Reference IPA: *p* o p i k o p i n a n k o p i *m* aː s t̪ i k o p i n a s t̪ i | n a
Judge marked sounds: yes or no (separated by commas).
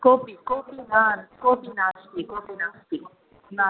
no, no